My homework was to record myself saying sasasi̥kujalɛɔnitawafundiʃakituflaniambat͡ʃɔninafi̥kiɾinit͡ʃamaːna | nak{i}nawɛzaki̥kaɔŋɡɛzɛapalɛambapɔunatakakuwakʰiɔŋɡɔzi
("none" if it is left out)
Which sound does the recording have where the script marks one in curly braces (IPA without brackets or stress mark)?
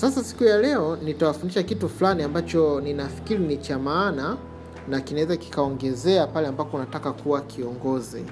i